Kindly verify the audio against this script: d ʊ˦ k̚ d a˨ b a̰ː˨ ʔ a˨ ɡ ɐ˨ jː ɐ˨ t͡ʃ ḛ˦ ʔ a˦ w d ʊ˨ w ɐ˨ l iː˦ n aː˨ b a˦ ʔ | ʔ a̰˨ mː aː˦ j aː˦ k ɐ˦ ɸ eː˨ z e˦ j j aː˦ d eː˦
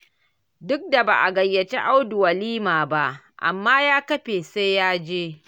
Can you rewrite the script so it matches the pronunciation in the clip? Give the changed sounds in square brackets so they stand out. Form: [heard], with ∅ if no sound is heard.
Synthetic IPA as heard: d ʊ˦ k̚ d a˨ b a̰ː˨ ʔ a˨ ɡ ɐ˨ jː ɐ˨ t͡ʃ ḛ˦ ʔ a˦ w d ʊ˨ w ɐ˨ l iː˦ [m] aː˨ b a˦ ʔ | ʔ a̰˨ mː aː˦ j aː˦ k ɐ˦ ɸ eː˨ [s] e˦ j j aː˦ [d͡ʒ] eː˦